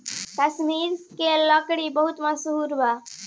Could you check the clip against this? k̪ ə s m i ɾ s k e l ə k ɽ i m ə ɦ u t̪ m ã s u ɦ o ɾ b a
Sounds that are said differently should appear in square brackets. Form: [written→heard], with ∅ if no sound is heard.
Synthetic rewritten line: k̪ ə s m i ɾ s k e l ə k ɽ i [m→b] ə ɦ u t̪ m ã s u ɦ [o→u] ɾ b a